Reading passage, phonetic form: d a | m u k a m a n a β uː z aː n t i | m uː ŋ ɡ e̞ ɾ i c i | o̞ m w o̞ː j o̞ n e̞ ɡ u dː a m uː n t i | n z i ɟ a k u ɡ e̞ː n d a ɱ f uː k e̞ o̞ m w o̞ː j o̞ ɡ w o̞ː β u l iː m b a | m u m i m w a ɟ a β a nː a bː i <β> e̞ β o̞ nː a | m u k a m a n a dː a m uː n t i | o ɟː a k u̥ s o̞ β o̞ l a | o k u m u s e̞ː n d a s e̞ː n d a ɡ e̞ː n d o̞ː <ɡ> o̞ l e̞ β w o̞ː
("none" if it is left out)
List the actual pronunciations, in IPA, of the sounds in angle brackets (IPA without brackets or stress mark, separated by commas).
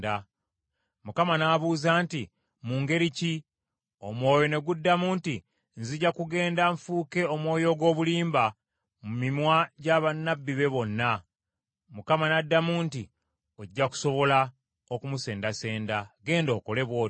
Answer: β, k